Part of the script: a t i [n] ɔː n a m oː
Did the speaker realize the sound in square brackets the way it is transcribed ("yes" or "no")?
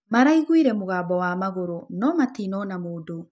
yes